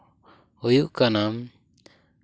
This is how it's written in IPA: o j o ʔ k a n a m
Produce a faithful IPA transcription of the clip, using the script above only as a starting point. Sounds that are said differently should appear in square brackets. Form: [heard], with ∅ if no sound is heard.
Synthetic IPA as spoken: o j [u] ʔ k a n a m